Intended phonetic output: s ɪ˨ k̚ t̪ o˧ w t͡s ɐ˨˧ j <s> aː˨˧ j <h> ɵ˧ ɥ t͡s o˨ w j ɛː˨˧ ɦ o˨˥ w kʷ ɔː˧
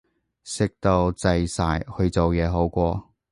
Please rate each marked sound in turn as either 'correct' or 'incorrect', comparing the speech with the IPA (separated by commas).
correct, correct